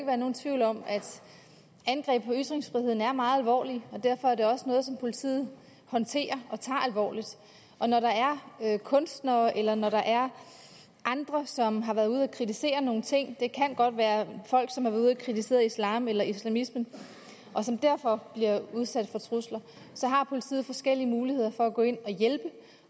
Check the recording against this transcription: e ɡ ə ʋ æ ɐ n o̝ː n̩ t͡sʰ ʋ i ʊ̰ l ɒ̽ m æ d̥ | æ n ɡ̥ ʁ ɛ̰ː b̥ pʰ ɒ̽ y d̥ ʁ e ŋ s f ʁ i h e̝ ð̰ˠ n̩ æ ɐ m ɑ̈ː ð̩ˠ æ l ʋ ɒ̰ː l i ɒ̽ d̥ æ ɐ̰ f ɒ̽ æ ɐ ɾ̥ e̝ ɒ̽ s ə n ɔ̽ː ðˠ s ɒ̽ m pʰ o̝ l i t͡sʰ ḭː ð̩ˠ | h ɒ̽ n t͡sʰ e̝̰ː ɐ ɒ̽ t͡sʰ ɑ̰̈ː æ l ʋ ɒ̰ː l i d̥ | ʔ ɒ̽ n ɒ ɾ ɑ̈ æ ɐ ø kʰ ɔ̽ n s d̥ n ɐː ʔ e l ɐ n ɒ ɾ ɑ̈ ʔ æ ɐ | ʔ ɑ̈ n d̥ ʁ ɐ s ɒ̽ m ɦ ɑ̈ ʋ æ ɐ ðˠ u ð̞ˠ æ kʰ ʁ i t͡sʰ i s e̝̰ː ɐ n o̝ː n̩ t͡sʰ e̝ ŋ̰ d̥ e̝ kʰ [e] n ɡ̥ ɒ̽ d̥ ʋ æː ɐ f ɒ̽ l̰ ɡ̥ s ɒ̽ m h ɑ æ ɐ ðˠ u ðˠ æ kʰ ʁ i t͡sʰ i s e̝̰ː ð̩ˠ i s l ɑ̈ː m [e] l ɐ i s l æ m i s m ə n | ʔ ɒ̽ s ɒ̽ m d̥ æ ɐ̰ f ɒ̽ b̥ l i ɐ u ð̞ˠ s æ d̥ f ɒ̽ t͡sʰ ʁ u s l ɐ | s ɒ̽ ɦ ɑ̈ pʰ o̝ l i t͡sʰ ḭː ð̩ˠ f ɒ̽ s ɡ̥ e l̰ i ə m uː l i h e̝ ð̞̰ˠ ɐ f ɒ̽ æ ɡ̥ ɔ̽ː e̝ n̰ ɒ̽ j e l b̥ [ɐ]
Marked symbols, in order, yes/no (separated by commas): no, yes, no